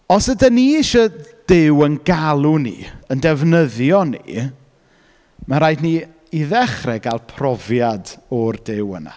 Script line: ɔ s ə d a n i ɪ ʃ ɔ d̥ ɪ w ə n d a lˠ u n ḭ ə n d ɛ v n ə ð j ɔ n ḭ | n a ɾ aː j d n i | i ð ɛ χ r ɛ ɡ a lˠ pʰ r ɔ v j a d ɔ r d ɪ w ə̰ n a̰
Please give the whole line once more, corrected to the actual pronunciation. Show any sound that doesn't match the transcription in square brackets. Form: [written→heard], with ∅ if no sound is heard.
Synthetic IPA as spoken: ɔ s ə d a n i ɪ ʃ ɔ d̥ ɪ w ə n [d→ɡ] a lˠ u n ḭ ə n d ɛ v n ə ð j ɔ n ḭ | [n→m] a ɾ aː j d n i | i ð ɛ χ r ɛ ɡ a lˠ pʰ r ɔ v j a d ɔ r d ɪ w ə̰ n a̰